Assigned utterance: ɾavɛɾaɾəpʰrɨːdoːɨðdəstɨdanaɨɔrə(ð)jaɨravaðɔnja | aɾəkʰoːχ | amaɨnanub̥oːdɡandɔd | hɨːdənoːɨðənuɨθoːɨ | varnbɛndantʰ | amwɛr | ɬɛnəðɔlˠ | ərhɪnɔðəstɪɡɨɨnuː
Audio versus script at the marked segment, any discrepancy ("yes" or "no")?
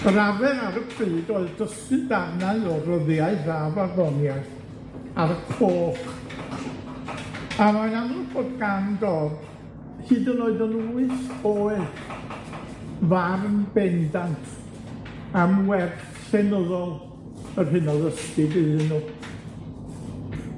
no